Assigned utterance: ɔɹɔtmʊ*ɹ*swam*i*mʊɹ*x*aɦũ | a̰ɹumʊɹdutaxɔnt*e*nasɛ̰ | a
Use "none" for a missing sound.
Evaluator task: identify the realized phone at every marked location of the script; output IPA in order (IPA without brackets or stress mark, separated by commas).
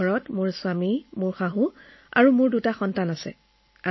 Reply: ɹ, i, x, a